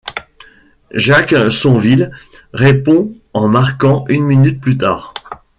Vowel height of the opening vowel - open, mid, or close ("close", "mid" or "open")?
open